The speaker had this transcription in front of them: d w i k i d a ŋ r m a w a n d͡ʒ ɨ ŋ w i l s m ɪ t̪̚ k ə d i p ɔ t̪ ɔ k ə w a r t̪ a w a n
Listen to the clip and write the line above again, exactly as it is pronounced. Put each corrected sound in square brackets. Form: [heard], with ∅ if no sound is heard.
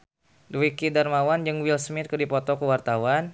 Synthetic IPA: d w i k i d a [∅] r m a w a n d͡ʒ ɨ ŋ w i l s m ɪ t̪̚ k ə d i p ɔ t̪ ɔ k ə w a r t̪ a w a n

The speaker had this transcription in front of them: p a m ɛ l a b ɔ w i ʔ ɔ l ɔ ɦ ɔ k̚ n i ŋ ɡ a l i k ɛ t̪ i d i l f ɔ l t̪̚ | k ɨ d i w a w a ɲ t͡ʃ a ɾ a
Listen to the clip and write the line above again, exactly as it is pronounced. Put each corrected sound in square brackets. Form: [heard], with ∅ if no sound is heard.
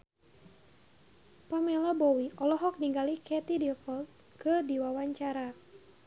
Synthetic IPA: p a m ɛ l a b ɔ w i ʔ ɔ l ɔ ɦ ɔ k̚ n i ŋ ɡ a l i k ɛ t̪ i d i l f ɔ l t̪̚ | k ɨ d i w a w a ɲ t͡ʃ a ɾ a

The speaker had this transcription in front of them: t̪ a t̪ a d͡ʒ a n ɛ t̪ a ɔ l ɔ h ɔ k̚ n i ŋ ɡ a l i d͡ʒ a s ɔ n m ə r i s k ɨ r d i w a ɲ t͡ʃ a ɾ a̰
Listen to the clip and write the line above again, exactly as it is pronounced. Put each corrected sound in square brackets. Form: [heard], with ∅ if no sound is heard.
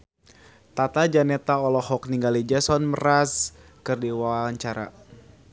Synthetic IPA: t̪ a t̪ a d͡ʒ a n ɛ t̪ a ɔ l ɔ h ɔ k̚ n i ŋ ɡ a l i d͡ʒ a s ɔ n m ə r [a] s k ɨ r d i w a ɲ t͡ʃ a ɾ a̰

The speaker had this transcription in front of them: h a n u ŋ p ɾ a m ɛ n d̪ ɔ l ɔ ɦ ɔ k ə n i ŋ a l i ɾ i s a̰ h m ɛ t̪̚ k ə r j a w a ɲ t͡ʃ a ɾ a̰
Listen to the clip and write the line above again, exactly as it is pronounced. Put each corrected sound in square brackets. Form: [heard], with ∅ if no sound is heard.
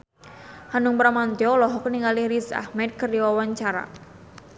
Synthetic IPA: h a n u ŋ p ɾ a m [a] n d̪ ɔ l ɔ ɦ ɔ k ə n i ŋ a l i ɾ i s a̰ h m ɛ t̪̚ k ə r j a w a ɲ t͡ʃ a ɾ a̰

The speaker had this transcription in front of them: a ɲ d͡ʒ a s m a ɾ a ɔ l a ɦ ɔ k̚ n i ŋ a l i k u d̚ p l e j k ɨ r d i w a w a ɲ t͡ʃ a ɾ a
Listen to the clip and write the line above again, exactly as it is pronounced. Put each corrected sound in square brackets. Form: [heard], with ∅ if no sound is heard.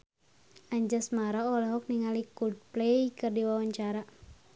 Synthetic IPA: a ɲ d͡ʒ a s m a ɾ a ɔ l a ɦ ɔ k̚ n i ŋ a l i k u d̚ p l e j k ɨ r d i w a w a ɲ t͡ʃ a ɾ a

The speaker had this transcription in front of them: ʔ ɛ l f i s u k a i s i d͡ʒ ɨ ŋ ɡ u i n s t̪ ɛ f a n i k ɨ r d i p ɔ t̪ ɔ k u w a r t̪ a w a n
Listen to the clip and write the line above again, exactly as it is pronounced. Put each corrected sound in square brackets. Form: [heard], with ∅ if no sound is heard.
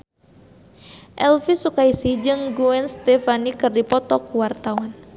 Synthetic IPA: ʔ ɛ l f i s u k a i s i d͡ʒ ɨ ŋ ɡ u [ɛ] n s t̪ ɛ f a n i k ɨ r d i p ɔ t̪ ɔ k u w a r t̪ a w a n

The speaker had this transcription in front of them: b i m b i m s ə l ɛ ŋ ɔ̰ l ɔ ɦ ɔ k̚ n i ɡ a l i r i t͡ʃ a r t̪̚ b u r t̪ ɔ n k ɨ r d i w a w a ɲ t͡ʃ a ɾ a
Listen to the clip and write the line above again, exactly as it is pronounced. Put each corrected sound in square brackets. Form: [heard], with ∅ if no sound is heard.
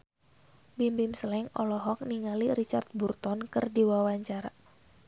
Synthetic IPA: b i m b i m s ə l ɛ ŋ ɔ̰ l ɔ ɦ ɔ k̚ n i [ŋ] a l i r i t͡ʃ a r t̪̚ b u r t̪ ɔ n k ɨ r d i w a w a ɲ t͡ʃ a ɾ a

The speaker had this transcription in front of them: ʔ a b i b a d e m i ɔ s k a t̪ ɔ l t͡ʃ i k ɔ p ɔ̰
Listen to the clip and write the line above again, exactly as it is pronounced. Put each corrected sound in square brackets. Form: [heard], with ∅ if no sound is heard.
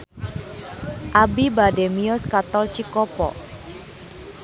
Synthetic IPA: ʔ a b i b a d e m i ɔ s k a t̪ ɔ l t͡ʃ i k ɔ p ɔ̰

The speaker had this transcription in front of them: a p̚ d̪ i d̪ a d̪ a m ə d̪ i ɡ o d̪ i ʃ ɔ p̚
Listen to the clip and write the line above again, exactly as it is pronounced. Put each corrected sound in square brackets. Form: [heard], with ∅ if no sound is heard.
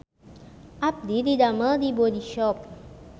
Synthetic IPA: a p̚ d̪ i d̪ [i] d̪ a m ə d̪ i [b] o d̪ i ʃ ɔ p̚

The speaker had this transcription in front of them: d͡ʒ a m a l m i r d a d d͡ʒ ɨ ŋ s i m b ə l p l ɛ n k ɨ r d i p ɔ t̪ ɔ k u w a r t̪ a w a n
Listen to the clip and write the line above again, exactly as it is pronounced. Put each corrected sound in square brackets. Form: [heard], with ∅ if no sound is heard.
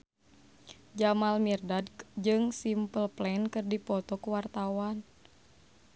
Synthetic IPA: d͡ʒ a m a l m i r d a d d͡ʒ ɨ ŋ s i m [p] ə l p l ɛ n k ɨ r d i p ɔ t̪ ɔ k u w a r t̪ a w a n

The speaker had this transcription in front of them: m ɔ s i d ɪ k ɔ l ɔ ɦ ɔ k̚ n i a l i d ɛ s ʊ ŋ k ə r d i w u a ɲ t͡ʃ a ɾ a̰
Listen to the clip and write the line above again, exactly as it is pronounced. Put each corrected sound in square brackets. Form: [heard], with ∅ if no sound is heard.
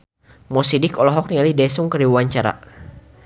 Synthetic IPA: m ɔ s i d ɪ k ɔ l ɔ ɦ ɔ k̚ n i a l i d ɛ s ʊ ŋ k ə r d i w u a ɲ t͡ʃ a ɾ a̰

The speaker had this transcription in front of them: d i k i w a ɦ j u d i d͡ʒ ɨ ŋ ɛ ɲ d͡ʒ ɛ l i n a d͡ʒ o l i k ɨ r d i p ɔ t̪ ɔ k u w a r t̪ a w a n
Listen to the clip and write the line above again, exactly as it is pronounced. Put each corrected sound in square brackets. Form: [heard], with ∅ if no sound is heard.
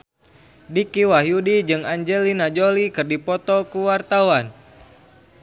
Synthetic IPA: d i k i w a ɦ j u d i d͡ʒ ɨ ŋ [a] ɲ d͡ʒ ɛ l i n a d͡ʒ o l i k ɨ r d i p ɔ t̪ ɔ k u w a r t̪ a w a n

